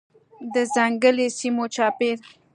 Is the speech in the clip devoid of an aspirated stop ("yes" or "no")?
yes